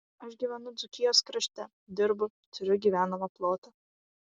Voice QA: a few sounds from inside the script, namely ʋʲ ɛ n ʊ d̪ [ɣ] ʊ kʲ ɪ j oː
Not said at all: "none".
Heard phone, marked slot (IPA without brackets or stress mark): z